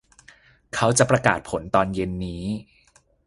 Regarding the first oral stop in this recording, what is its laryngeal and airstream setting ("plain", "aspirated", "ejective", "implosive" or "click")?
aspirated